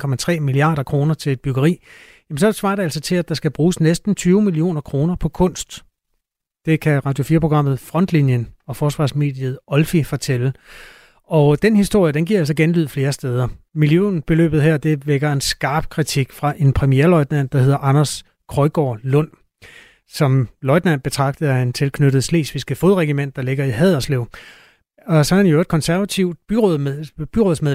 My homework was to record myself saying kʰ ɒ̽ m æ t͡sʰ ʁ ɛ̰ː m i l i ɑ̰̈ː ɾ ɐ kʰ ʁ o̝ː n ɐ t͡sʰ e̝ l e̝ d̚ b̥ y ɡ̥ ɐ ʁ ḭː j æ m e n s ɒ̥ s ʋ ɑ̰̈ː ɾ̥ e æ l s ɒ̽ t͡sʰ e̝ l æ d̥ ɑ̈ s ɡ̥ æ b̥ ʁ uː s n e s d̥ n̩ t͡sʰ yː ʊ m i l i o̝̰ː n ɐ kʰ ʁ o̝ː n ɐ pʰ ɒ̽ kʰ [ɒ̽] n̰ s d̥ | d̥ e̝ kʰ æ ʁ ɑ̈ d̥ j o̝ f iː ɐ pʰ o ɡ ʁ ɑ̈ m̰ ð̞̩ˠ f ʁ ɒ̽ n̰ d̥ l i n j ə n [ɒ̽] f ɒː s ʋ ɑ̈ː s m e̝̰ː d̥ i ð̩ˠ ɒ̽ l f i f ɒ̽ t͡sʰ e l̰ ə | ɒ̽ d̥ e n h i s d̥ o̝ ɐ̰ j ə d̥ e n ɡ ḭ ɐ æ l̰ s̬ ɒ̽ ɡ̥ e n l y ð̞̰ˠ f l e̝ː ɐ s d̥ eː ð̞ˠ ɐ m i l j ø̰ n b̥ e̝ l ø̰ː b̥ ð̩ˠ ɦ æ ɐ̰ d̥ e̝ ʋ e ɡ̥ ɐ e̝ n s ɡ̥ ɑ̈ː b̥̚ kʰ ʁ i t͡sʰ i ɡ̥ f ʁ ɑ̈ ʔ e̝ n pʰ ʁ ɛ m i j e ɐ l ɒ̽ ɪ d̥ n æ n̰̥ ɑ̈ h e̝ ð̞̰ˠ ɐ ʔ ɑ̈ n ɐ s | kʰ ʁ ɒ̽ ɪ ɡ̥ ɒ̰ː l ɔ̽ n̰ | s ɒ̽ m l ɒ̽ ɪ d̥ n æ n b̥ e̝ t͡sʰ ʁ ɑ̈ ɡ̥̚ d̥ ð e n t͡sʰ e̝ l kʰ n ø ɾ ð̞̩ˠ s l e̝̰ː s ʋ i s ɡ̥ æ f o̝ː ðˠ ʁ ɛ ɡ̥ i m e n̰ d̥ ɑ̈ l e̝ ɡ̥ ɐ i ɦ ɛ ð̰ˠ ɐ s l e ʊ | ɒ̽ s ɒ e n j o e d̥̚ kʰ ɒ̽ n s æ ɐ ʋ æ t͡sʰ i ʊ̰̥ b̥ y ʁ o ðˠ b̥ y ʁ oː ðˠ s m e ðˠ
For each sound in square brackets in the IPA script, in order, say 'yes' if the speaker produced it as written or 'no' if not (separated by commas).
no, yes